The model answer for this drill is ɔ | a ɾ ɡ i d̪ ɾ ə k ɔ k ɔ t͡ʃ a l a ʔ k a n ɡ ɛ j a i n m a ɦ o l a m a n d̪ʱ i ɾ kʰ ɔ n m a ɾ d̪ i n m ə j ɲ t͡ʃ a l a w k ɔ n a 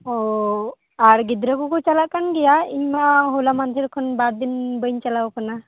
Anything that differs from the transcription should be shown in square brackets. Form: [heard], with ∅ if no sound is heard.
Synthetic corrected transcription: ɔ | a ɾ ɡ i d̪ ɾ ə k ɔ k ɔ t͡ʃ a l a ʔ k a n ɡ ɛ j a i [ɲ] m a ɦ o l a m a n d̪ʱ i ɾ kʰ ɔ n [b] a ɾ d̪ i n [b] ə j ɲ t͡ʃ a l a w k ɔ n a

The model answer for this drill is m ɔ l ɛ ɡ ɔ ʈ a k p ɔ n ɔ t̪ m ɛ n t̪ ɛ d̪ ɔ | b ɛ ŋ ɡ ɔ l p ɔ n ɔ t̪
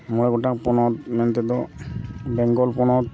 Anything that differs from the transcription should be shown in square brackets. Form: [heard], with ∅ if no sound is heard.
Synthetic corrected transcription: m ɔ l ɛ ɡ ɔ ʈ a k p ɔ n ɔ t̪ m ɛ n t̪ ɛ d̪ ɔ | b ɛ ŋ ɡ ɔ l p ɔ n ɔ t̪

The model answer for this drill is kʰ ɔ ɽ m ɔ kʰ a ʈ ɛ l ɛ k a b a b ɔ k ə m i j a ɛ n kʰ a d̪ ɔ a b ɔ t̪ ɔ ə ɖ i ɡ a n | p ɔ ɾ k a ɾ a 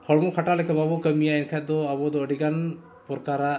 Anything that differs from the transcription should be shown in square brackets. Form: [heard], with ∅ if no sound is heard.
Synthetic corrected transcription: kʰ ɔ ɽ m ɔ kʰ a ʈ [a] l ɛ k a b a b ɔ k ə m i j a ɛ n kʰ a d̪ ɔ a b ɔ [d̪] ɔ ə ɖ i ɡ a n | p ɔ ɾ k a ɾ a

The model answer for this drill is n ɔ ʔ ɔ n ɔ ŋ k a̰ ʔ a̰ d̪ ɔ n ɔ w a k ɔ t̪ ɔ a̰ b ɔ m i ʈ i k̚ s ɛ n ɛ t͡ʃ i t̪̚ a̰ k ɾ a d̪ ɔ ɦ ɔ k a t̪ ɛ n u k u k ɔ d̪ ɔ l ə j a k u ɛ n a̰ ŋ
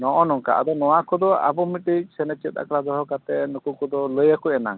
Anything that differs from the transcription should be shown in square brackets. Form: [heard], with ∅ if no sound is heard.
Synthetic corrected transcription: n ɔ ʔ ɔ n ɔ ŋ k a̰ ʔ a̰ d̪ ɔ n ɔ w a k ɔ [d̪] ɔ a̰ b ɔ m i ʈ i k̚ s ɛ n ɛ t͡ʃ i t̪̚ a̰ k ɾ a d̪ ɔ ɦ ɔ k a t̪ ɛ n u k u k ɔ d̪ ɔ l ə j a k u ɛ n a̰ ŋ

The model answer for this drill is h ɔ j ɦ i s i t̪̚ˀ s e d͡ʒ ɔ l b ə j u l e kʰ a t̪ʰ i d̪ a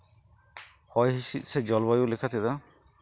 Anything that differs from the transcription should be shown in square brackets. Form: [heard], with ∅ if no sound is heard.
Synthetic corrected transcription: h ɔ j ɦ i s i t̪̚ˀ s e d͡ʒ ɔ l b [a] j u l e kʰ a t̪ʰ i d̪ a

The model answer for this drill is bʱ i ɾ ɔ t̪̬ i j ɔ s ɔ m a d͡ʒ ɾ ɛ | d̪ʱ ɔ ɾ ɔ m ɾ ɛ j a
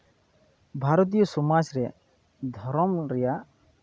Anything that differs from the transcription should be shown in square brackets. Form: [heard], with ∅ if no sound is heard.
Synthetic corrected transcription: bʱ [a] ɾ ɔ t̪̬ i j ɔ s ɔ m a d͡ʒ ɾ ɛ | d̪ʱ ɔ ɾ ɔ m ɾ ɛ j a

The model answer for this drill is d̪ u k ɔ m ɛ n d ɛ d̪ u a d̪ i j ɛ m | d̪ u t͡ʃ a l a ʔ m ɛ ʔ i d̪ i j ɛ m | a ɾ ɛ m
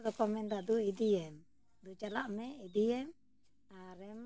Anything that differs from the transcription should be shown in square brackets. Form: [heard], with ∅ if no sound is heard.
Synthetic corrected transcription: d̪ [ɔ] k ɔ m ɛ n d [a] d̪ u [i] d̪ i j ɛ m | d̪ u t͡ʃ a l a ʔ m ɛ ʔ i d̪ i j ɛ m | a ɾ ɛ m

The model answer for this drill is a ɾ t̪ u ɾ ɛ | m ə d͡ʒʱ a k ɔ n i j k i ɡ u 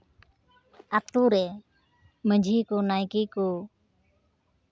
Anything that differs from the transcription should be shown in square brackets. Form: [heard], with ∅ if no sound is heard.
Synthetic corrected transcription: a [∅] t̪ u ɾ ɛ | m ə d͡ʒʱ [i] k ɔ n [a] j k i [k] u

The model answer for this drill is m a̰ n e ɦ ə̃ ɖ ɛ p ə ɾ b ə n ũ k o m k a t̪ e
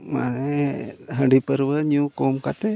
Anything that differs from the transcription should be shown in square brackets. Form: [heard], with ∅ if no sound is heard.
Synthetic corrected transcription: m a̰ n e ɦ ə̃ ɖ [i] p ə ɾ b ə [ɲ] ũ k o m k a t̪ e

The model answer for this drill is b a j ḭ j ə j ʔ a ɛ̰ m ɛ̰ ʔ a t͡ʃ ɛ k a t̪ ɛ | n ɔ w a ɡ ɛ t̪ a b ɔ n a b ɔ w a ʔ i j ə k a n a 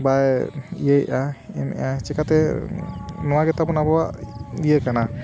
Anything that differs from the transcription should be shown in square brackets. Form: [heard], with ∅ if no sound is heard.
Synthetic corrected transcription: b a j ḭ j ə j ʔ a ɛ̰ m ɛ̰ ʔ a t͡ʃ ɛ k a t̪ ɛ | n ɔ w a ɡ ɛ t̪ a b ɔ n a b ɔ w a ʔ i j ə k a n a

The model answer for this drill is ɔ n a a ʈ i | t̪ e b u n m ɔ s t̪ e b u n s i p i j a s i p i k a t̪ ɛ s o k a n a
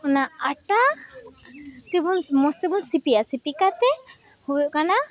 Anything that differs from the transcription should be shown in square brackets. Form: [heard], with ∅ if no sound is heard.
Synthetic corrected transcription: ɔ n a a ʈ [a] | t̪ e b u n m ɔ s t̪ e b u n s i p i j a s i p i k a t̪ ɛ [h] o k a n a

